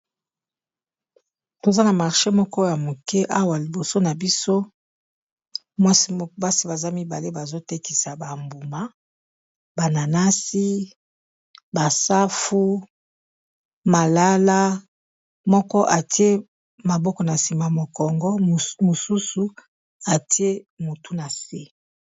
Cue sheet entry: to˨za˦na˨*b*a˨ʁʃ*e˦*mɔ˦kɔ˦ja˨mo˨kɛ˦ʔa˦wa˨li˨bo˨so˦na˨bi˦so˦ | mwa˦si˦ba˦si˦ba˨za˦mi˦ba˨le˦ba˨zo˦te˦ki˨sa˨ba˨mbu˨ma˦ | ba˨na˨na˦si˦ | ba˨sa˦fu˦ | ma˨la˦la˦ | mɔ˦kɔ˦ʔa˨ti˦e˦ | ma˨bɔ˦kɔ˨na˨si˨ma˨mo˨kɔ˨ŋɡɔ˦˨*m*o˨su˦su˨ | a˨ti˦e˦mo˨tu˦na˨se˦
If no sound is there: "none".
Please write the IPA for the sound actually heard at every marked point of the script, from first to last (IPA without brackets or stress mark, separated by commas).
m, e˦, m